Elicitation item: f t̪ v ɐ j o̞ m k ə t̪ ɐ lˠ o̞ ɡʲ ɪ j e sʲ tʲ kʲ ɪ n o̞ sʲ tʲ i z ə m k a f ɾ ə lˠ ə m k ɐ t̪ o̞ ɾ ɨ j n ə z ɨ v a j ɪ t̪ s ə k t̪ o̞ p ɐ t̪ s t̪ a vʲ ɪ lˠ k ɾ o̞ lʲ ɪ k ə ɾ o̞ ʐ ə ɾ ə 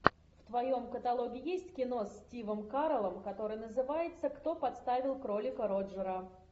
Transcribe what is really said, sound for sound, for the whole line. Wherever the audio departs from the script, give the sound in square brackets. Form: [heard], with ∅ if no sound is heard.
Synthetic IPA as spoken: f t̪ v ɐ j o̞ m k ə t̪ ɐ lˠ o̞ ɡʲ ɪ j e sʲ tʲ kʲ ɪ n o̞ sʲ tʲ i [v] ə m k a [∅] ɾ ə lˠ ə m k ɐ t̪ o̞ ɾ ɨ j n ə z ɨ v a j ɪ t̪ s ə k t̪ o̞ p ɐ t̪ s t̪ a vʲ ɪ lˠ k ɾ o̞ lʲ ɪ k ə ɾ o̞ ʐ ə ɾ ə